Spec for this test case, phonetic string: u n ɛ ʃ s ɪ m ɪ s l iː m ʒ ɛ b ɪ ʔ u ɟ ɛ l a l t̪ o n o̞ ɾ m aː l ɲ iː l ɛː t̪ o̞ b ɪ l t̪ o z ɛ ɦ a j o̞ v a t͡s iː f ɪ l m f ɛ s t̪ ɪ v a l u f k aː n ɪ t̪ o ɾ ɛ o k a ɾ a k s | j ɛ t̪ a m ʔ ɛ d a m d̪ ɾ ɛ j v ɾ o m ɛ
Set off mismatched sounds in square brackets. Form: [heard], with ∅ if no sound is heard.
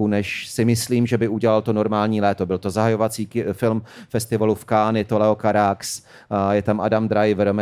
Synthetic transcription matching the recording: u n ɛ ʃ s ɪ m ɪ s l iː m ʒ ɛ b ɪ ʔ u ɟ ɛ l a l t̪ o n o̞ ɾ m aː l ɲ iː l ɛː t̪ o̞ b ɪ l t̪ o z [a] ɦ a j o̞ v a t͡s iː f ɪ l m f ɛ s t̪ ɪ v a l u f k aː n ɪ t̪ o [l] ɛ o k a ɾ a k s | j ɛ t̪ a m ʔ [a] d a m d̪ ɾ [a] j v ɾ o m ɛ